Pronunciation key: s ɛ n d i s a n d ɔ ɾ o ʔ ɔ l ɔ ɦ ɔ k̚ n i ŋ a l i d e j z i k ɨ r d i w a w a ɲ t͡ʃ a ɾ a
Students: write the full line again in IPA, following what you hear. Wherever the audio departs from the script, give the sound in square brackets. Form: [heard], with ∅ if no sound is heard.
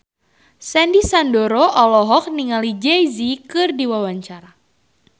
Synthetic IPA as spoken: s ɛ n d i s a n d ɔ ɾ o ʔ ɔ l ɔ ɦ ɔ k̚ n i ŋ a l i [d͡ʒ] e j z i k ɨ r d i w a w a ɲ t͡ʃ a ɾ a

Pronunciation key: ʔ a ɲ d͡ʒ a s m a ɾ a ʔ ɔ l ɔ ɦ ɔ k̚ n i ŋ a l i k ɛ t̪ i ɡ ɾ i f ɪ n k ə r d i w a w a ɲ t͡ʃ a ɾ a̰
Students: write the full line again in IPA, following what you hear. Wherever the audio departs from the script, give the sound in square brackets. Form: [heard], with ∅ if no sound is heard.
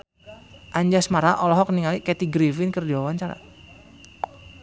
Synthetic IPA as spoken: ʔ a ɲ d͡ʒ a s m a ɾ a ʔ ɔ l ɔ ɦ ɔ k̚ n i ŋ a l i k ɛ t̪ i ɡ ɾ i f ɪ n k ə r d i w a w a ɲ t͡ʃ a ɾ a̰

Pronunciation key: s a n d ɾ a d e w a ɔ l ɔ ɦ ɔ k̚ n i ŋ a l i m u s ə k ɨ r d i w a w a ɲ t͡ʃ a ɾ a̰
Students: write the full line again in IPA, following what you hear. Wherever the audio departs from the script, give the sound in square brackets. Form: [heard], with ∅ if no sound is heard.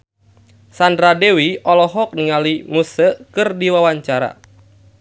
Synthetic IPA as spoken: s a n d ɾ a d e w [i] ɔ l ɔ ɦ ɔ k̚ n i ŋ a l i m u s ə k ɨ r d i w a w a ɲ t͡ʃ a ɾ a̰

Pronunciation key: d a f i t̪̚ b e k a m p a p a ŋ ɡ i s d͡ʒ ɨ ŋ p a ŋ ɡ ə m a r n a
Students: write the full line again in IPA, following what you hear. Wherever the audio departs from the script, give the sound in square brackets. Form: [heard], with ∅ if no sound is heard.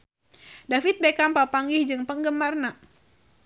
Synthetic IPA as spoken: d a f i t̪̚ b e k a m p a p a ŋ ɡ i [h] d͡ʒ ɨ ŋ p [ə] ŋ ɡ ə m a r n a

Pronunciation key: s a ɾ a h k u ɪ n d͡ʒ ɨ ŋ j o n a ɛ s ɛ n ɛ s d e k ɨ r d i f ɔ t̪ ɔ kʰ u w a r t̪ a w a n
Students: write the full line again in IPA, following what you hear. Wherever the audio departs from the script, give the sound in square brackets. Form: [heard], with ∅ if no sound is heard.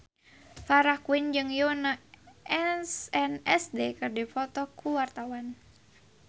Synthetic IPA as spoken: [f] a ɾ a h k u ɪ n d͡ʒ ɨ ŋ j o n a ɛ s ɛ n ɛ s d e k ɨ r d i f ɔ t̪ ɔ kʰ u w a r t̪ a w a n

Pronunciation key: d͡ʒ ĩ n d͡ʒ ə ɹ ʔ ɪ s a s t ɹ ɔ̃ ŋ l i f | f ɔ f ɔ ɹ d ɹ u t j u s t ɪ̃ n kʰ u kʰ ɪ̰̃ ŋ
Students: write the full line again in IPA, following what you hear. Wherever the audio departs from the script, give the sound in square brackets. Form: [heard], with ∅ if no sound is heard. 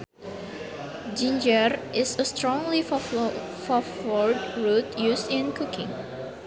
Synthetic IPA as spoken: d͡ʒ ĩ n d͡ʒ ə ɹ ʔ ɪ s [ə] s t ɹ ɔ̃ ŋ l i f | f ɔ f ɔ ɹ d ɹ u t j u s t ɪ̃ n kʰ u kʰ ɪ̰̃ ŋ

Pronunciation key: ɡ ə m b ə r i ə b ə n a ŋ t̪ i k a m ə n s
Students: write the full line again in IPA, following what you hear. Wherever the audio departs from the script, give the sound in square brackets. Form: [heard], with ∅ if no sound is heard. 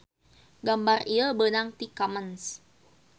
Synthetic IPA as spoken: ɡ [a] m b [a] r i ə b ə n a ŋ t̪ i k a m ə n s

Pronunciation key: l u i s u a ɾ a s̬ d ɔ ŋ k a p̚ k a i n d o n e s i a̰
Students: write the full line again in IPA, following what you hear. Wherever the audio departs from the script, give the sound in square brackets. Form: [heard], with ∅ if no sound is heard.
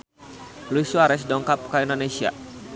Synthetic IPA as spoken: l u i s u a ɾ [ɛ] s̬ d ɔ ŋ k a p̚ k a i n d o n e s i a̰

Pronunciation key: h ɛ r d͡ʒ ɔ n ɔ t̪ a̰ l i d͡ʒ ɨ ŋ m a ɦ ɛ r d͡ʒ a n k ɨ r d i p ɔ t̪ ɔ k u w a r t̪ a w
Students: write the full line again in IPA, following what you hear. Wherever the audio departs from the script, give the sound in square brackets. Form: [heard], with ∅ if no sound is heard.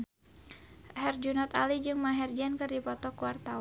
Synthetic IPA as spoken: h ɛ r d͡ʒ [u] n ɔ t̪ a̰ l i d͡ʒ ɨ ŋ m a ɦ ɛ r d͡ʒ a n k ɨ r d i p ɔ t̪ ɔ k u w a r t̪ a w

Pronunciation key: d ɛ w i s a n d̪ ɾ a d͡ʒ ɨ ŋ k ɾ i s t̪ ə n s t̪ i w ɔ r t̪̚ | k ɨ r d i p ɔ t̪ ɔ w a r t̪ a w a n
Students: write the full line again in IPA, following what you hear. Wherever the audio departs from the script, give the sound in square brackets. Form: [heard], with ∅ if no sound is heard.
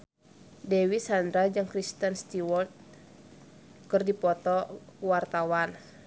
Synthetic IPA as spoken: d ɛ w i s a n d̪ ɾ a d͡ʒ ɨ ŋ k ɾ i s t̪ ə n s t̪ i w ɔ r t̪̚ | k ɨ r d i p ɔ t̪ ɔ w a r t̪ a w a n

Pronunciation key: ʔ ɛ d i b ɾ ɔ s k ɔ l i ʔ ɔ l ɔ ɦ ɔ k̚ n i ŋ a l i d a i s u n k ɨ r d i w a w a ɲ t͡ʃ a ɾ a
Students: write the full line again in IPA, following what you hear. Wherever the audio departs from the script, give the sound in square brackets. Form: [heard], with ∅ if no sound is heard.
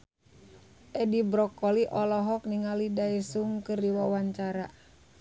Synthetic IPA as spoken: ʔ ɛ d i b ɾ ɔ [∅] k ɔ l i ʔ ɔ l ɔ ɦ ɔ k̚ n i ŋ a l i d a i s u [ŋ] k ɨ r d i w a w a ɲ t͡ʃ a ɾ a

